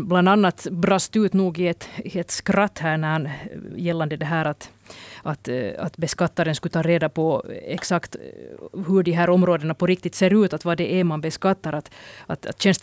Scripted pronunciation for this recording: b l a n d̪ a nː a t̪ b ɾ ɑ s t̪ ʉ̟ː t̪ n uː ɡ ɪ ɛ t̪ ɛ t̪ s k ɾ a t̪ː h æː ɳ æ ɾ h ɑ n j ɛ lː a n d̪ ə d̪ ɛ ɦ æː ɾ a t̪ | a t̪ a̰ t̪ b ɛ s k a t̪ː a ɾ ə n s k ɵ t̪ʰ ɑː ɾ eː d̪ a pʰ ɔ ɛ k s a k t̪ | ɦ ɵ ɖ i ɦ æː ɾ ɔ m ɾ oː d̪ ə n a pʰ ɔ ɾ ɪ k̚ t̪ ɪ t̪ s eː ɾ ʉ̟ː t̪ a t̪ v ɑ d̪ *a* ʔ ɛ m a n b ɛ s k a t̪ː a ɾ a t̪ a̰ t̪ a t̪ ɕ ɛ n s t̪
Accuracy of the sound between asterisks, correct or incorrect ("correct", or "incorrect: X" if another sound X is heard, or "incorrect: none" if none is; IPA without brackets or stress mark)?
incorrect: ɛ